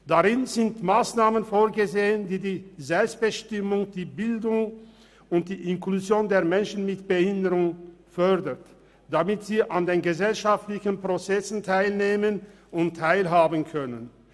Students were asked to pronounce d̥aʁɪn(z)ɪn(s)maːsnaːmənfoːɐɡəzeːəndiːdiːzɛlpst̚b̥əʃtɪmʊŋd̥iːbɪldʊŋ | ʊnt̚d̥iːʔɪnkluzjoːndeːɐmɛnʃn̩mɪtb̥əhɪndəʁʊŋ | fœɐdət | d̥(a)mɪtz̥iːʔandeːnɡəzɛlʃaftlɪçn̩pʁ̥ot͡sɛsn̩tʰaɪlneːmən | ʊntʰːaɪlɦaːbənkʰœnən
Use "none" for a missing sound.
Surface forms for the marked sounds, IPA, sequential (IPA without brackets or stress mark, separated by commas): z, t, a